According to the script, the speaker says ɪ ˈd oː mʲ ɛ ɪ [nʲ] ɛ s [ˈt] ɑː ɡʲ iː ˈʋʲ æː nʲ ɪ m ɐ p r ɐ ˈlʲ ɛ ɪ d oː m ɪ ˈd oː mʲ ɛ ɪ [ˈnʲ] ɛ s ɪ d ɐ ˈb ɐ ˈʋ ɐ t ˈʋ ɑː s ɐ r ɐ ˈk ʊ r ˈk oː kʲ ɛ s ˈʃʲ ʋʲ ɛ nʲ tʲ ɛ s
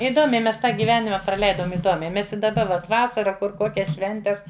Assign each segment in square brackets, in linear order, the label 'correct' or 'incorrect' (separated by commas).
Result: incorrect, correct, incorrect